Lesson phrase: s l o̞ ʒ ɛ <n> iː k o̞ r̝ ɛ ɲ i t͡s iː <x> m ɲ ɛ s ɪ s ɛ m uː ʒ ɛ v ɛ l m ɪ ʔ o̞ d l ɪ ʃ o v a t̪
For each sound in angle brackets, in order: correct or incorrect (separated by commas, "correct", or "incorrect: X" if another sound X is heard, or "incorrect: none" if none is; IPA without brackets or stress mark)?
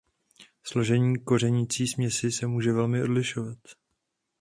incorrect: ɲ, incorrect: s